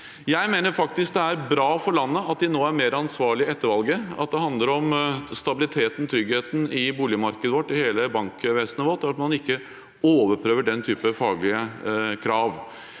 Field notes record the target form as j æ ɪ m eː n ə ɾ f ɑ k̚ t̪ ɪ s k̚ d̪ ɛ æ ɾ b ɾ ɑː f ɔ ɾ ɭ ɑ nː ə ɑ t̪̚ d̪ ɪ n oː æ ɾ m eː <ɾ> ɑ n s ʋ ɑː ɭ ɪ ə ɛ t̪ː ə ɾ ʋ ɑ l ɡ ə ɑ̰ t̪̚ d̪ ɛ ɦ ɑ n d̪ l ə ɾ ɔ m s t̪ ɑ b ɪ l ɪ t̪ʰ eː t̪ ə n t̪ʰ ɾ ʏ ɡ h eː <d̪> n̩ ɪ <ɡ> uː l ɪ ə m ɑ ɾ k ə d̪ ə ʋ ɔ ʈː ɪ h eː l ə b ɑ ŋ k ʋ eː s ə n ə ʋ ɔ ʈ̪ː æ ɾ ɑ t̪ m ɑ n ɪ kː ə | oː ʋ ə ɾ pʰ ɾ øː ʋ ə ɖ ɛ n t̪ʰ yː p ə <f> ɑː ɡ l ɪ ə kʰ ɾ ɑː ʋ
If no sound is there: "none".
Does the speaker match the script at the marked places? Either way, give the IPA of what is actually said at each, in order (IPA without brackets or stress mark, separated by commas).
ɾ, t̪, b, f